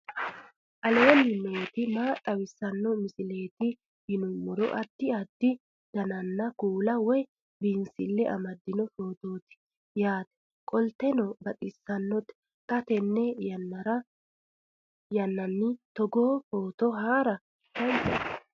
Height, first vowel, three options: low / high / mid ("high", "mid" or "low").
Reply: low